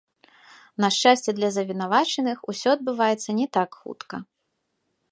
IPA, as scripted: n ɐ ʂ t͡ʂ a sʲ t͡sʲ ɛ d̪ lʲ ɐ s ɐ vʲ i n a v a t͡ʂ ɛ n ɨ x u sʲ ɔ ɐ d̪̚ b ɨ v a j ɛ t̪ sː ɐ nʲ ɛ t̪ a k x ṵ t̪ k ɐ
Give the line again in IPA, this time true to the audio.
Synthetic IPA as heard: n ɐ ʂ t͡ʂ a sʲ t͡sʲ ɛ d̪ lʲ ɐ z ɐ vʲ i n a v a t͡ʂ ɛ n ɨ x u sʲ ɔ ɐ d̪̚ b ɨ v a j ɛ t̪ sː ɐ nʲ ɛ t̪ a k x ṵ t̪ k ɐ